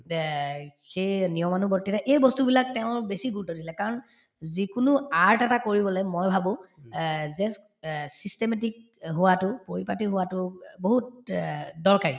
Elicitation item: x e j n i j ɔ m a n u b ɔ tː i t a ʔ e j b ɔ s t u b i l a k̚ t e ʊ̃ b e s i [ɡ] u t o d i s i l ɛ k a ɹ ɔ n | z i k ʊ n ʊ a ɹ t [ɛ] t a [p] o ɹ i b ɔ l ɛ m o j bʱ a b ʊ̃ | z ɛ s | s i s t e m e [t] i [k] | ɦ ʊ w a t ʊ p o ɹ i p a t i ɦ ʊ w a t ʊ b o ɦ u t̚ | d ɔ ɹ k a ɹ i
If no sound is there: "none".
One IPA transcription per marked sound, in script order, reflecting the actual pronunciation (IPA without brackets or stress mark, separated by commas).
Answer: ɡ, ɛ, k, t, k